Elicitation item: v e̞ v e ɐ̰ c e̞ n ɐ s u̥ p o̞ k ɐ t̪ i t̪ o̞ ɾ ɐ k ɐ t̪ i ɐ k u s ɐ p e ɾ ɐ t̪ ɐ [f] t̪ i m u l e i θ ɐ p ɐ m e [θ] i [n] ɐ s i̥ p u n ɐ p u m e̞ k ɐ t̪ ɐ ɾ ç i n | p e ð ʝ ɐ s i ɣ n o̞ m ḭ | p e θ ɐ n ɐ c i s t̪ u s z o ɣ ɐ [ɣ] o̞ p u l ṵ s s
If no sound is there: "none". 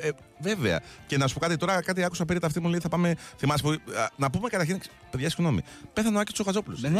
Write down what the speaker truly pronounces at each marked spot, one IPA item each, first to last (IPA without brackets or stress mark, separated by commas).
f, θ, m, z